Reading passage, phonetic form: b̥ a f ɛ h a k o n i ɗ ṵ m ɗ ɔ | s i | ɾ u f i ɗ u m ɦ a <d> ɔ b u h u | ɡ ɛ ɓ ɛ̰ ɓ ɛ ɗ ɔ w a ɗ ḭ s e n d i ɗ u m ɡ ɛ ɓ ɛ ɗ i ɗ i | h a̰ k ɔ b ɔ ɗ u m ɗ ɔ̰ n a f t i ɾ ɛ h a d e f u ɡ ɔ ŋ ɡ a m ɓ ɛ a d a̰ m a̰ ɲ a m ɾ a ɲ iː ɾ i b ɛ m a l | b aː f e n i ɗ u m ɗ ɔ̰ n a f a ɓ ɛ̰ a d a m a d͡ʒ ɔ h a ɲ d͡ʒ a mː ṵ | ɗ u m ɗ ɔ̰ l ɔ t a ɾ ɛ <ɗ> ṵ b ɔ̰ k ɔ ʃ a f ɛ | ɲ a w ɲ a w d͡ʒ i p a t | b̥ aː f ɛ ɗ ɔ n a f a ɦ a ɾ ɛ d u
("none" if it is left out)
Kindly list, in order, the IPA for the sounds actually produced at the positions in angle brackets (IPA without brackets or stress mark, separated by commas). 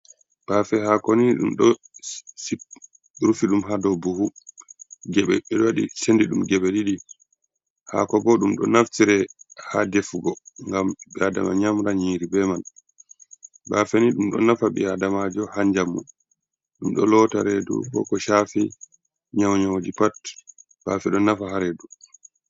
d, d